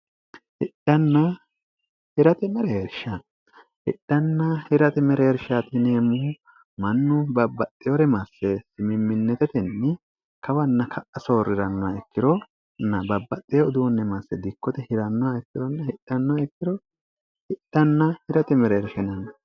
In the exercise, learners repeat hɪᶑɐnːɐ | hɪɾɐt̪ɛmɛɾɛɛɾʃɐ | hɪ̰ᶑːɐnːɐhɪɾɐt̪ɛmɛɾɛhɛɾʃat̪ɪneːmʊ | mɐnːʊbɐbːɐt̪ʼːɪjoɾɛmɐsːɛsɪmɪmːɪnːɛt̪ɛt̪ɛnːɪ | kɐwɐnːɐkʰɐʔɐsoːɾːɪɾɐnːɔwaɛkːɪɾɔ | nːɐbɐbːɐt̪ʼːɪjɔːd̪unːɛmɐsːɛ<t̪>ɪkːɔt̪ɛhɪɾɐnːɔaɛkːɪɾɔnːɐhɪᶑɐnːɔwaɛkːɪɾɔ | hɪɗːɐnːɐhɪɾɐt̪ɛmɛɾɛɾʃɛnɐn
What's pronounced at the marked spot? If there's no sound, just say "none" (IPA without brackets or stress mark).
d̪